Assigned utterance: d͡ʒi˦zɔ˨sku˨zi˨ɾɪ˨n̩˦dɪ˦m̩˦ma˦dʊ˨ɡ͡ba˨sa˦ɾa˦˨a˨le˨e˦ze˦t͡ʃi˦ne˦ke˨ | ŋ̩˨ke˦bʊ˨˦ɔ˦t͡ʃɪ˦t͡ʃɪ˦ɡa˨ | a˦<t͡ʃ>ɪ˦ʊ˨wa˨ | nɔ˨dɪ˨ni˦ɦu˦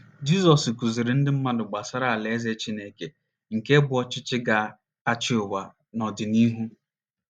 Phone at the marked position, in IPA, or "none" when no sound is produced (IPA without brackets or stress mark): t͡ʃ